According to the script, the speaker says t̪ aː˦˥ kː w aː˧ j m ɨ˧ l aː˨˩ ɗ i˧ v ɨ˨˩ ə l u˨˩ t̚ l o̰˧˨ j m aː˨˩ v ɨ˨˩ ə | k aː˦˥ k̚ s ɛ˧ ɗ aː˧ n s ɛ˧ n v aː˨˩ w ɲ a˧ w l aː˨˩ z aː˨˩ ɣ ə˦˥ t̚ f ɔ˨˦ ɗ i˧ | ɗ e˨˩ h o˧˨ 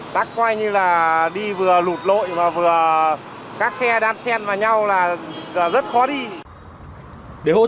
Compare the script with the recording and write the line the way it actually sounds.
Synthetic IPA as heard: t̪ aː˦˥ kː w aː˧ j ɲ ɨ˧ l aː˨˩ ɗ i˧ v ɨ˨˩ ə l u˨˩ t̚ l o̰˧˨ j m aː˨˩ v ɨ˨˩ ə | k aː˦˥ k̚ s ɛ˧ ɗ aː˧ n s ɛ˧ n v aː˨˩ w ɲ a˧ w l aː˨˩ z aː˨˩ z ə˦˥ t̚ x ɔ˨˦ ɗ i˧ | ɗ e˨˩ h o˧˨